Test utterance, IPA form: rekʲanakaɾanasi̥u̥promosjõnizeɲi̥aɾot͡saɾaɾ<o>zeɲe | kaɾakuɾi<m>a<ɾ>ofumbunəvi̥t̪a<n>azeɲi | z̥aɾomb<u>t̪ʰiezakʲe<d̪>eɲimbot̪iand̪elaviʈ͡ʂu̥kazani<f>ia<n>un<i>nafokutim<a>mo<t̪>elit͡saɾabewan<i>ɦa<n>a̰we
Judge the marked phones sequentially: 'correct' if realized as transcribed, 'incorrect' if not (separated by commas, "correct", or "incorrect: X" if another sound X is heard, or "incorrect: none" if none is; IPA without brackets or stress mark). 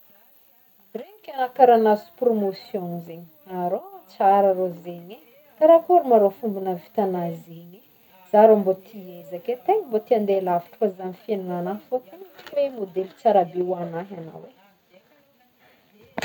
correct, correct, correct, correct, incorrect: o, incorrect: t̪, correct, correct, incorrect: a, incorrect: e, incorrect: d̪, incorrect: a, correct